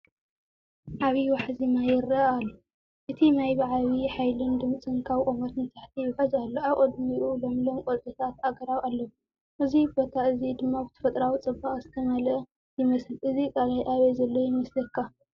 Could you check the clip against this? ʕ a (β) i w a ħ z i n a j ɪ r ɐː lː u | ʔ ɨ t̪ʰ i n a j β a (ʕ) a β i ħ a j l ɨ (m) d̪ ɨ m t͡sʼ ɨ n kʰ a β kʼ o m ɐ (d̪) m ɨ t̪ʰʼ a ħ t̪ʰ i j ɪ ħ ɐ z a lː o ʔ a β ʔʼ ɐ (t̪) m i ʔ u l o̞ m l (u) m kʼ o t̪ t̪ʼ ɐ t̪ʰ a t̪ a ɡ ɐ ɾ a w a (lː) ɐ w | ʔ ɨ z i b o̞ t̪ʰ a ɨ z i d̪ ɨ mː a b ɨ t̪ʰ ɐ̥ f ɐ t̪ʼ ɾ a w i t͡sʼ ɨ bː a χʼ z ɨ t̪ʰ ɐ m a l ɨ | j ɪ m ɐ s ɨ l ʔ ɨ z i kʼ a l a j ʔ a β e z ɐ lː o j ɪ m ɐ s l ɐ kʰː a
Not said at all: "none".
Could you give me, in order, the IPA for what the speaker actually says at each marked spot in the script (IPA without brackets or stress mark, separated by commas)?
β, ʕ, n, t̪, d̪, o, lː